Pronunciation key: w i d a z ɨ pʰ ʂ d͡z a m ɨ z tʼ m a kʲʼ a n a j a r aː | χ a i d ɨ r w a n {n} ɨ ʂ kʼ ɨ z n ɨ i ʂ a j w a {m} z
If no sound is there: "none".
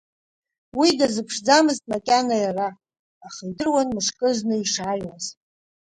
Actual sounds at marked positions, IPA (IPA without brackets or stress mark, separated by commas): m, none